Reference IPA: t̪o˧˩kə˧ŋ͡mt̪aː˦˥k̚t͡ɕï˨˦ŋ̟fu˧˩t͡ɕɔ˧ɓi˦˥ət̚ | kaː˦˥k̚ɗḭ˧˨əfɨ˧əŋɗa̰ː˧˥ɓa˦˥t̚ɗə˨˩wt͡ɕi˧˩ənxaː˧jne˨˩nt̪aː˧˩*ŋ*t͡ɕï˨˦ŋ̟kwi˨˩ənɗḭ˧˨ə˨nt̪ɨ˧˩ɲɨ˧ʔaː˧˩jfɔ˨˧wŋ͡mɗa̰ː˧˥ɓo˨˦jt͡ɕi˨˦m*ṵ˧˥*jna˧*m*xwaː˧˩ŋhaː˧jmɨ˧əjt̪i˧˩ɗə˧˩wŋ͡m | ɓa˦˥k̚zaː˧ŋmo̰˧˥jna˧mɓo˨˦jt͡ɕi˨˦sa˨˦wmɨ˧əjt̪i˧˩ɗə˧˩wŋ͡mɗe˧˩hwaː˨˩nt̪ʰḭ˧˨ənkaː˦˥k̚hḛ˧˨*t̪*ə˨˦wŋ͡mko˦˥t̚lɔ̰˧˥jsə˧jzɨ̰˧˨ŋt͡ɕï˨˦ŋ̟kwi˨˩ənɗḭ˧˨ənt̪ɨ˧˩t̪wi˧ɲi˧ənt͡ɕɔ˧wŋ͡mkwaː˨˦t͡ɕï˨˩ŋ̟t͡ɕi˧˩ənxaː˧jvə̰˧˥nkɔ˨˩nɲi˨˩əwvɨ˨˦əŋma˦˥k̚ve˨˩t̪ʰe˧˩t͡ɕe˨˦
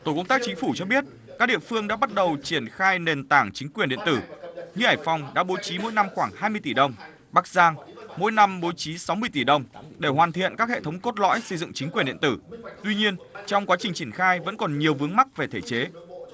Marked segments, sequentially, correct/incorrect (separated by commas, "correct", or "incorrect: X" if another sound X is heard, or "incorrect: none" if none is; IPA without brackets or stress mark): correct, incorrect: o̰˧˥, correct, incorrect: t̪ʰ